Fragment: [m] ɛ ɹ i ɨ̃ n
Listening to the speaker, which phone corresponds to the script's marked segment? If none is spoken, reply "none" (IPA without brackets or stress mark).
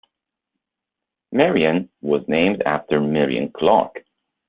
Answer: m